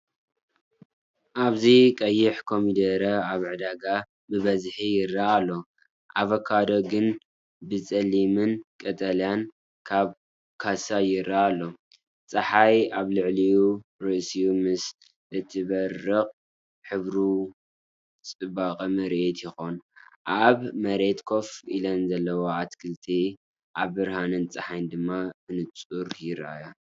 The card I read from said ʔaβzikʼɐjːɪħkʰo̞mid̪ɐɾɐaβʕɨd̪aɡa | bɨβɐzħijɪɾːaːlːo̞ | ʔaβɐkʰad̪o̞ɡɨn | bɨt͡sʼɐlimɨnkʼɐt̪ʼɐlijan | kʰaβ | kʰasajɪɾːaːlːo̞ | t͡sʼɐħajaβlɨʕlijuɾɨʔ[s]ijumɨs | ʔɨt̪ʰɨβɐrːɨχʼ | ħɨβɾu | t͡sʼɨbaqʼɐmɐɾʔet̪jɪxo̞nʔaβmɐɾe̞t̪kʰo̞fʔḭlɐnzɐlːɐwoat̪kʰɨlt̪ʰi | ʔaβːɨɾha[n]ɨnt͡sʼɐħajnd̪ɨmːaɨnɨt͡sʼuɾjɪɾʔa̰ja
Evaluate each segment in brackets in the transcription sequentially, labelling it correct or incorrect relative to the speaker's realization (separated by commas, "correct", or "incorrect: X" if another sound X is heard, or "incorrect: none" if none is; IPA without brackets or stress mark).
correct, correct